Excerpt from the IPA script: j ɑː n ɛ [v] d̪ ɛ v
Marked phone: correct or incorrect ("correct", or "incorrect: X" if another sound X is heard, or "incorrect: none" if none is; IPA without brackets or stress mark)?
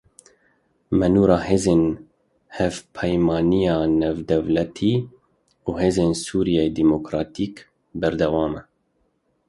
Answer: correct